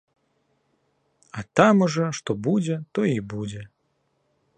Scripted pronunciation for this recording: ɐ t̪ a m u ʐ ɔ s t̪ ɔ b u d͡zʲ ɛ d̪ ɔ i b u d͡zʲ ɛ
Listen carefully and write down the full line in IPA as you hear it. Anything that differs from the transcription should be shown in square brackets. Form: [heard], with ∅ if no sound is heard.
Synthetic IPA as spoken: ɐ t̪ a m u ʐ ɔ [ʂ] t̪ ɔ b u d͡zʲ ɛ [t̪] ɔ i b u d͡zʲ ɛ

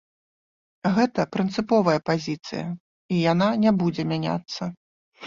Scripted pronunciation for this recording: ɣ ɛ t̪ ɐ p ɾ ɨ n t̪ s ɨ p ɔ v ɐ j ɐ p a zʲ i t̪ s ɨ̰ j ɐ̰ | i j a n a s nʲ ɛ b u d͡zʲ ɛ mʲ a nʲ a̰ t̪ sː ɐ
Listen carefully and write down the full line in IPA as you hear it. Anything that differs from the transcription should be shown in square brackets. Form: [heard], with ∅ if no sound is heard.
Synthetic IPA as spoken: ɣ ɛ t̪ ɐ p ɾ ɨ n t̪ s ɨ p ɔ v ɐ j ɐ p a zʲ i t̪ s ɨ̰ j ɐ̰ | i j a n a [∅] nʲ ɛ b u d͡zʲ ɛ mʲ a nʲ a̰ t̪ sː ɐ

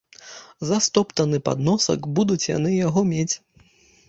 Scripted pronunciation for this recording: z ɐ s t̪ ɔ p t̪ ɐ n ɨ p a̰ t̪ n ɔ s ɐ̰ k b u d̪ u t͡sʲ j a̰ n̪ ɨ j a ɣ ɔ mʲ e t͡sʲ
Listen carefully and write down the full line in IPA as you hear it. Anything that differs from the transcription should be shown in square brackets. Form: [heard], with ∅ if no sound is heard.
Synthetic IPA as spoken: z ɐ s t̪ ɔ p t̪ ɐ n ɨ p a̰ [d̪] n ɔ s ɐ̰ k b u d̪ u t͡sʲ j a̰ n̪ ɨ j a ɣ ɔ mʲ e t͡sʲ

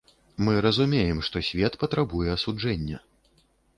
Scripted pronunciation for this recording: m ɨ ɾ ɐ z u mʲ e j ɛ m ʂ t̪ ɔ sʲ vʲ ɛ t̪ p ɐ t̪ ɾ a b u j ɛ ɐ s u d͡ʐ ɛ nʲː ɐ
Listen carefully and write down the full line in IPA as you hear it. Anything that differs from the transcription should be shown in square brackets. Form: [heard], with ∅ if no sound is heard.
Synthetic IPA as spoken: m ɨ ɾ ɐ z u mʲ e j ɛ m ʂ t̪ ɔ sʲ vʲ ɛ t̪ p ɐ t̪ ɾ a b u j ɛ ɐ s u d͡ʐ ɛ nʲː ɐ

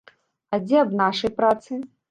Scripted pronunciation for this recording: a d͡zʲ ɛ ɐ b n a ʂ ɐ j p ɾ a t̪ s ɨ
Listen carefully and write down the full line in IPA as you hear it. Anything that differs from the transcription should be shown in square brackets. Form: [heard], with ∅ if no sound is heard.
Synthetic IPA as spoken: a d͡zʲ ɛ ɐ b n a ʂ ɐ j p ɾ a t̪ s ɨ

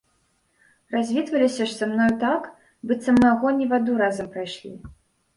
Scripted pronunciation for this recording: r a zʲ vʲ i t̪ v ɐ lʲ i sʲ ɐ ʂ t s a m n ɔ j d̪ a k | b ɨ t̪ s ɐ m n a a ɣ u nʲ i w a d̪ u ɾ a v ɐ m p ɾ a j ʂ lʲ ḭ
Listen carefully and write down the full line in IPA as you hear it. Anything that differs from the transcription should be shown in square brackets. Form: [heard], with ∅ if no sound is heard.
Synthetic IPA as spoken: r a zʲ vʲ i t̪ v ɐ lʲ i sʲ ɐ ʂ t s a m n ɔ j [t̪] a k | b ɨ t̪ s ɐ m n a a ɣ [ɔ] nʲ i [v] a d̪ u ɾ a [z] ɐ m p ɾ a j ʂ lʲ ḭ

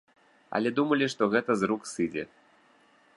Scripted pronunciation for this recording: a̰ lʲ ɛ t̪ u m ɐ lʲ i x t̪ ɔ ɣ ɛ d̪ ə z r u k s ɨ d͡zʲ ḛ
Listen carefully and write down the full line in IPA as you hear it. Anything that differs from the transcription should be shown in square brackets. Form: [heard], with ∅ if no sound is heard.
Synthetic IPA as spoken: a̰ lʲ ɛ [d̪] u m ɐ lʲ i [ʂ] t̪ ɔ ɣ ɛ [t̪] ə z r u k s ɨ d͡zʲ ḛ

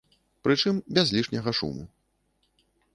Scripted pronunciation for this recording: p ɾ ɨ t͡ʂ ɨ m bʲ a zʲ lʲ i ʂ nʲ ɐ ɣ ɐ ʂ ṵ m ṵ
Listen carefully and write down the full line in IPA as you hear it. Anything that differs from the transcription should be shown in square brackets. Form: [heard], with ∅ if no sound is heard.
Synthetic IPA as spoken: p ɾ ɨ t͡ʂ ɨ m bʲ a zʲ lʲ i ʂ nʲ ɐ ɣ ɐ ʂ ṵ m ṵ

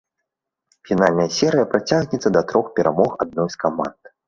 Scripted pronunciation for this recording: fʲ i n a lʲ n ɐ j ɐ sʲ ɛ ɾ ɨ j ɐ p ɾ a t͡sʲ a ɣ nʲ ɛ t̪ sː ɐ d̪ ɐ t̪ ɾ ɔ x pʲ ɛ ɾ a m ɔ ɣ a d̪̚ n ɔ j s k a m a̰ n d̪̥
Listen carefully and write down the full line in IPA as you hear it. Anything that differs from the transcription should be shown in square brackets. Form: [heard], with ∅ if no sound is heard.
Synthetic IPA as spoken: fʲ i n a lʲ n ɐ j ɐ sʲ ɛ ɾ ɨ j ɐ p ɾ a t͡sʲ a ɣ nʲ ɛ t̪ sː ɐ d̪ ɐ t̪ ɾ ɔ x pʲ ɛ ɾ a m ɔ [x] a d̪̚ n ɔ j s k a m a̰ n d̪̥

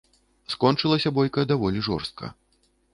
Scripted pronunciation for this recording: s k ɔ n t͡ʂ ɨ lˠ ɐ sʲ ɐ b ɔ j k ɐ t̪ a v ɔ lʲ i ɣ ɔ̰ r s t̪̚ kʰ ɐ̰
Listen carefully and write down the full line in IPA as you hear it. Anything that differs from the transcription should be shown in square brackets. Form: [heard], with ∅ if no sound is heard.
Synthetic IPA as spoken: s k ɔ n t͡ʂ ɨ lˠ ɐ sʲ ɐ b ɔ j k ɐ [d̪] a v ɔ lʲ i [ʐ] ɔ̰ r s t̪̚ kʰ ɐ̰

